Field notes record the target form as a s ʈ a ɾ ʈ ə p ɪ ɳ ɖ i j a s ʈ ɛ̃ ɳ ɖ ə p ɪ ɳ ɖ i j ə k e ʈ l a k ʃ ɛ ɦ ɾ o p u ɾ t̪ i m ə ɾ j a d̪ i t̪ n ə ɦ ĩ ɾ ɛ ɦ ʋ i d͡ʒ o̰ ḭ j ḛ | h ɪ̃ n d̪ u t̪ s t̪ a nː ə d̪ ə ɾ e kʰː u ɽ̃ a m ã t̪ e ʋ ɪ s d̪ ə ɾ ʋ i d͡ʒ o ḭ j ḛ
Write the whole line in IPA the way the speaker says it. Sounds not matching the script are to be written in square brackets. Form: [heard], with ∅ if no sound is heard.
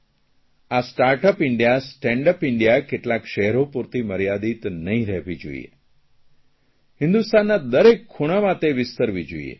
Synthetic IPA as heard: a s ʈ a ɾ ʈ ə p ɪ ɳ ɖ i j a s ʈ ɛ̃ ɳ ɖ ə p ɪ ɳ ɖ i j [a] k e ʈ l a k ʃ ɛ ɦ ɾ o p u ɾ t̪ i m ə ɾ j a d̪ i t̪ n ə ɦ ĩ ɾ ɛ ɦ ʋ i d͡ʒ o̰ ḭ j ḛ | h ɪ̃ n d̪ u [∅] s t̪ a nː [a] d̪ ə ɾ e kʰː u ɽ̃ a m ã t̪ e ʋ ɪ s [t̪] ə ɾ ʋ i d͡ʒ o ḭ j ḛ